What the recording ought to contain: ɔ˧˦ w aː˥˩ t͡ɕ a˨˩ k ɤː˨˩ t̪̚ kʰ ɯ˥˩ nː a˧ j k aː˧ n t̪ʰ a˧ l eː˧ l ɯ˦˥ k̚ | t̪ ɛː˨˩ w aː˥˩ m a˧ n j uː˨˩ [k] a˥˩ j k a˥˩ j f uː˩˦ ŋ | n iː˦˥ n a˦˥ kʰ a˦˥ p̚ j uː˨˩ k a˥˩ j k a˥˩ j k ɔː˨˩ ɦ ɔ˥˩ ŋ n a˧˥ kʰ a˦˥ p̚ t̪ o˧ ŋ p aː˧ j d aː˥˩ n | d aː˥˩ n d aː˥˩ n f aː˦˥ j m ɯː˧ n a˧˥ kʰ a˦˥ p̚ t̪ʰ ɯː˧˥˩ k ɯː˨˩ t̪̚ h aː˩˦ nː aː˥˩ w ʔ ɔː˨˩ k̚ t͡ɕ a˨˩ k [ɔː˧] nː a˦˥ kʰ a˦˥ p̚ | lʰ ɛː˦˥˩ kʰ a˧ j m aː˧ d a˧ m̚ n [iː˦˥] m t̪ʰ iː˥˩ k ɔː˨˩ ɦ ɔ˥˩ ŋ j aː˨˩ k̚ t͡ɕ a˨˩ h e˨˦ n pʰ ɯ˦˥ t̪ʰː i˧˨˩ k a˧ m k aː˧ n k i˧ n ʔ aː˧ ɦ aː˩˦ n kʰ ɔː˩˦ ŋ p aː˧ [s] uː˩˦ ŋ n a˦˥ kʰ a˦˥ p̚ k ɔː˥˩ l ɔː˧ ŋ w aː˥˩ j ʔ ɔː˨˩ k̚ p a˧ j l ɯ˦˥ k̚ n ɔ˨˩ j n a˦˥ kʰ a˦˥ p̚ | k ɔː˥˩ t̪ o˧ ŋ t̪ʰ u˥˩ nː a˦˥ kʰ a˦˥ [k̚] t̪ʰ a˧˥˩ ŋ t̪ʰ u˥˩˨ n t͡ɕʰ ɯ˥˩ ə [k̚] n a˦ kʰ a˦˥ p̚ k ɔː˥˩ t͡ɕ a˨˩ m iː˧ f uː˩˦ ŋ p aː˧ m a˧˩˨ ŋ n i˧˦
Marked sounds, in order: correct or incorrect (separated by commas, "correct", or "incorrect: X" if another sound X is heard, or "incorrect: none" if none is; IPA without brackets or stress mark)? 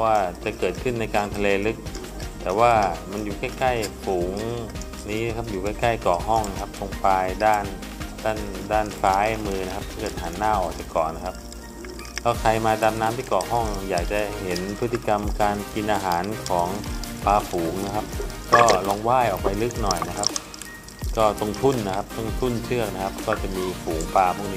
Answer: correct, incorrect: ɔː˨˩, incorrect: aː˦˥, incorrect: f, incorrect: p̚, correct